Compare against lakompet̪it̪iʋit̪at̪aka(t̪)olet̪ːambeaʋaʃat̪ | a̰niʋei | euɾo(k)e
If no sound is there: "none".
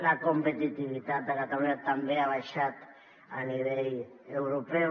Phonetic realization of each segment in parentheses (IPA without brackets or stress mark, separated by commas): t̪, p